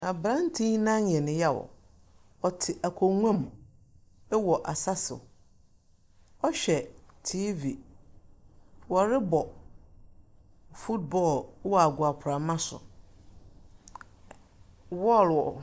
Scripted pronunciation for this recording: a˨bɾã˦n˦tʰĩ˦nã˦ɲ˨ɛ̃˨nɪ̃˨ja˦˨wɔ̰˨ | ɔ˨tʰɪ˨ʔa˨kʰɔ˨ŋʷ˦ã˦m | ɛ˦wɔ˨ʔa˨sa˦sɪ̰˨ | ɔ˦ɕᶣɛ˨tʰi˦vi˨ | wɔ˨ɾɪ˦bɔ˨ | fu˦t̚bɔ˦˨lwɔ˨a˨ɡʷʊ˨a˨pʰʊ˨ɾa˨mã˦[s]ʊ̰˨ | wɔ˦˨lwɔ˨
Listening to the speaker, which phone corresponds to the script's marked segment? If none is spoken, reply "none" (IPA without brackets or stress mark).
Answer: s